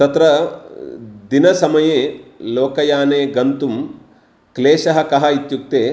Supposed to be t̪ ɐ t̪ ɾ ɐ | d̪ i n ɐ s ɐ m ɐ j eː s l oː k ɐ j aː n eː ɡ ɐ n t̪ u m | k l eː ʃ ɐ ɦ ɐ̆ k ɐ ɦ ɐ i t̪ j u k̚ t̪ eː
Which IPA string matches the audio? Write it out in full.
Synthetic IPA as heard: t̪ ɐ t̪ ɾ ɐ | d̪ i n ɐ s ɐ m ɐ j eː l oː k ɐ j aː n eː ɡ ɐ n t̪ u m | k l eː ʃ ɐ ɦ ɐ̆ k ɐ ɦ ɐ i t̪ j u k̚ t̪ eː